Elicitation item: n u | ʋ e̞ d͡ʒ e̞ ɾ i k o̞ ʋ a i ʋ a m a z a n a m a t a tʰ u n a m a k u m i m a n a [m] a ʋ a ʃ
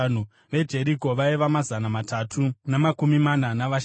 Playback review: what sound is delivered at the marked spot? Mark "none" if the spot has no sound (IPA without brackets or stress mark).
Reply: n